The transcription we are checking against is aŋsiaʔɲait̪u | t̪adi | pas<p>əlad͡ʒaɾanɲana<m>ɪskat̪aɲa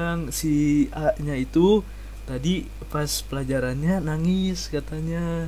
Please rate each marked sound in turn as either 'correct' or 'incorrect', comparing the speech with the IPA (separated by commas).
correct, incorrect